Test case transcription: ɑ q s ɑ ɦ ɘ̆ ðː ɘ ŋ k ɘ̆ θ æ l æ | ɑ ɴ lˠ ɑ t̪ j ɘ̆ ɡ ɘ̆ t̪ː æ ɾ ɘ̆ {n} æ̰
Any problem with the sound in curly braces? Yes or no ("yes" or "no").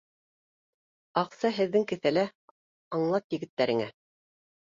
yes